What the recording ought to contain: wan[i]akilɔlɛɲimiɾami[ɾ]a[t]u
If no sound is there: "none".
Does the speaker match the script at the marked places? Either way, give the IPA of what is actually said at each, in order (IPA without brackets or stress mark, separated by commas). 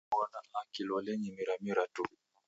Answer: a, ɾ, t